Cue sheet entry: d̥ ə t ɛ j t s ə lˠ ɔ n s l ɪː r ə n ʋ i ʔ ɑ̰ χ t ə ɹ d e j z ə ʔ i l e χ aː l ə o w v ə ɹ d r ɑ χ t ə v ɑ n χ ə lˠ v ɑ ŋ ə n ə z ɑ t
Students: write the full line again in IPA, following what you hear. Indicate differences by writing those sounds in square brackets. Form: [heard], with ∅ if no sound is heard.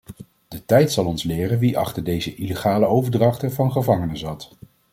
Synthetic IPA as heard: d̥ ə t ɛ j t s [ɑ] lˠ ɔ n s l ɪː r ə n ʋ i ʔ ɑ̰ χ t ə ɹ d e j z ə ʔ i l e χ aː l ə o w v ə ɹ d r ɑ χ t ə v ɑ n χ ə [∅] v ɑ ŋ ə n ə z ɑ t